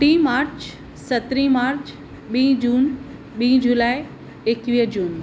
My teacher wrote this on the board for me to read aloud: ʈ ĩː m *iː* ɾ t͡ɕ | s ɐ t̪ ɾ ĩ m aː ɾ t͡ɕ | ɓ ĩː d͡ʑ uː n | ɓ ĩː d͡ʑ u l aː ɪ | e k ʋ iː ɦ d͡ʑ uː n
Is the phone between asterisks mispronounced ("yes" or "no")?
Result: yes